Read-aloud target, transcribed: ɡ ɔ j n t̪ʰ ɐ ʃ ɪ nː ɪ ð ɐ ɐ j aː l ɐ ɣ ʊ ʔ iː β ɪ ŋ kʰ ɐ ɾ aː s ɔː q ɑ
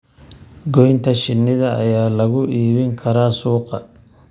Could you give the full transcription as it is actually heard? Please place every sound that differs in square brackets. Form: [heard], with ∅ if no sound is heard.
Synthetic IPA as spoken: ɡ ɔ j n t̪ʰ ɐ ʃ ɪ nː ɪ ð ɐ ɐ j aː l ɐ ɣ ʊ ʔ iː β ɪ ŋ kʰ ɐ ɾ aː s [uː] q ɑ